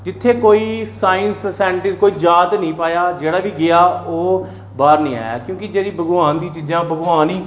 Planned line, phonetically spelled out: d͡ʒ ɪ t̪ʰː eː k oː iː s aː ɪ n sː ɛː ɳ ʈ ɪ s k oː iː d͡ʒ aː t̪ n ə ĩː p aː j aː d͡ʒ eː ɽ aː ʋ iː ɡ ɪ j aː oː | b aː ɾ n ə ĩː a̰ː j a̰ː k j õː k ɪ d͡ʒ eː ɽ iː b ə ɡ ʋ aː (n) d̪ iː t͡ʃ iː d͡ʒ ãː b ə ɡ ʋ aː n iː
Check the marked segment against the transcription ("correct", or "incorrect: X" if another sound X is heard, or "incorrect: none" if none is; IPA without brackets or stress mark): correct